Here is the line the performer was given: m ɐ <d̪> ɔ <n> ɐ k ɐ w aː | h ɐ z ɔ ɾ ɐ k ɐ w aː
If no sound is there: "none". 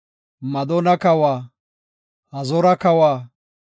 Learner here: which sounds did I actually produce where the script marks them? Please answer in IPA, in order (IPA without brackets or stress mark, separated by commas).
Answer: d̪, n